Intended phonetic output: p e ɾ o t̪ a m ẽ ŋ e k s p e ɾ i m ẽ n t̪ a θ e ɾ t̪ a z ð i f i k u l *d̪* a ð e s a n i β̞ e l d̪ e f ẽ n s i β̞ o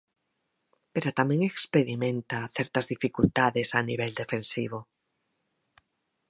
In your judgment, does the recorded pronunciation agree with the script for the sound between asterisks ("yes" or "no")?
no